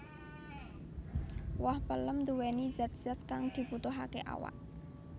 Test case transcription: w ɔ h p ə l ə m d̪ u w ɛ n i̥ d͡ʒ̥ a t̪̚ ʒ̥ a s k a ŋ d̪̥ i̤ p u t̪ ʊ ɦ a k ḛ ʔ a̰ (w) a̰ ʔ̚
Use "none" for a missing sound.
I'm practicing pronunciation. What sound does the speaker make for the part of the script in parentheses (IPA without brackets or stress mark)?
w